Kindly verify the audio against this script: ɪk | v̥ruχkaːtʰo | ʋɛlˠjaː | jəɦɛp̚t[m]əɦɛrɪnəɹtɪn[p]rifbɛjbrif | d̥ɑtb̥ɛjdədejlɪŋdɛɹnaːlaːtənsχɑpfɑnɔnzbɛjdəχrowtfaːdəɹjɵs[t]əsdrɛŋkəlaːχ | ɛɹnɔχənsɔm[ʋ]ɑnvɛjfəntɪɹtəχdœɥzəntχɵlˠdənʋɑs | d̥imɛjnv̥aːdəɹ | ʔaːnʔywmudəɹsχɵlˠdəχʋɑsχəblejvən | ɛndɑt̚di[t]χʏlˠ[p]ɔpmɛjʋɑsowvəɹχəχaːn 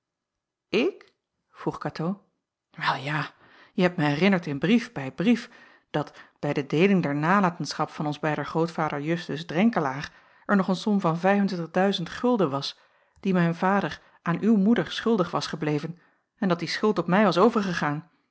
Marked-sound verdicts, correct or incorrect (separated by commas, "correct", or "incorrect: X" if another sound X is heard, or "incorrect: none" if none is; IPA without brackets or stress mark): correct, incorrect: b, correct, incorrect: v, incorrect: s, incorrect: t